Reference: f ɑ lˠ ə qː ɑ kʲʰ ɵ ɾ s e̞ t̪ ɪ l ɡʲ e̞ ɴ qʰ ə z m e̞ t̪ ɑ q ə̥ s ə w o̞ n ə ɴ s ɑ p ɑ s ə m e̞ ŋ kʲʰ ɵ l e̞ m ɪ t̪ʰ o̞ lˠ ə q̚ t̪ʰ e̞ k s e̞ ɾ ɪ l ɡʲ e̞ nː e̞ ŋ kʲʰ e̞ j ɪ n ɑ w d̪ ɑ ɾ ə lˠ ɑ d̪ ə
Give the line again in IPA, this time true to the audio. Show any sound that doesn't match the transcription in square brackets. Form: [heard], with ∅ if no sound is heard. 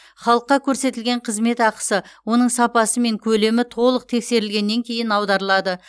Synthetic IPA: [χ] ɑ lˠ ə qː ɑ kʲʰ ɵ ɾ s e̞ t̪ ɪ l ɡʲ e̞ ɴ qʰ ə z m e̞ t̪ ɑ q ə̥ s ə w o̞ n ə ɴ s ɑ p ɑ s ə m e̞ ŋ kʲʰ ɵ l e̞ m ɪ t̪ʰ o̞ lˠ ə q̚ t̪ʰ e̞ k s e̞ ɾ ɪ l ɡʲ e̞ nː e̞ ŋ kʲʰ e̞ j ɪ n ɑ w d̪ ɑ ɾ ə lˠ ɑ d̪ ə